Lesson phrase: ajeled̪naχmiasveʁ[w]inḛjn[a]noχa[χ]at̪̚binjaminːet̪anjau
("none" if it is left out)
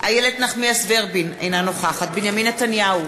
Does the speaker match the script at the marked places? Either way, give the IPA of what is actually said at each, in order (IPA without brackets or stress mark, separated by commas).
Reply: b, a, χ